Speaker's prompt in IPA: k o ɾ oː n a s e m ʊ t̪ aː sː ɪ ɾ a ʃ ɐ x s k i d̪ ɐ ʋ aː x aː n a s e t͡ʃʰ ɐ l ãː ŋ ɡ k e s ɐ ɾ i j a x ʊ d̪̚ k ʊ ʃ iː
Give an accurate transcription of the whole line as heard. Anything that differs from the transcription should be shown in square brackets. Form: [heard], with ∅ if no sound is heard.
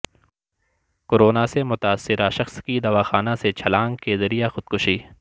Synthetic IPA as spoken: k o ɾ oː n a s e m ʊ t̪ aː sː ɪ ɾ a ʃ ɐ x s k i d̪ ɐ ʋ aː x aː n a s e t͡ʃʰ ɐ l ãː ŋ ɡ k e [z] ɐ ɾ i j a x ʊ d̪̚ k ʊ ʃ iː